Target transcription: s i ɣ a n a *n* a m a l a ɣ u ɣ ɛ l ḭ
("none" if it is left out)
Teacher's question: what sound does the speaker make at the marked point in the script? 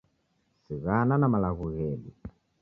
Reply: n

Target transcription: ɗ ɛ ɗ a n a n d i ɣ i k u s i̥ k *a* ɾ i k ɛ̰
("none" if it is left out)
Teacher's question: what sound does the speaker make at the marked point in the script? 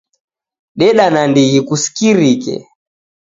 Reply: i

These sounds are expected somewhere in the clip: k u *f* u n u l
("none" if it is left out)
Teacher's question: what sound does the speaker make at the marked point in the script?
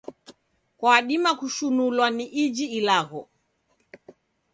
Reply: ʃ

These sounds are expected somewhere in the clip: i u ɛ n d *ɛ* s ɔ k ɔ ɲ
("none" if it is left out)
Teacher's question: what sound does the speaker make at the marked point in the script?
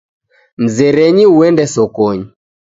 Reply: ɛ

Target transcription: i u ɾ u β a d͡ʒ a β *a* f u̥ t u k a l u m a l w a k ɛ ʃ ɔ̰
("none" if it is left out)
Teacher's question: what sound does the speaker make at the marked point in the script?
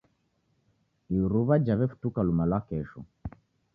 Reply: ɛ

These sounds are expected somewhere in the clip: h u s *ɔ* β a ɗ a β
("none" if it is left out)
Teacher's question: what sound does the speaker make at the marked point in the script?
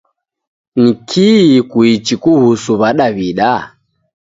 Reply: u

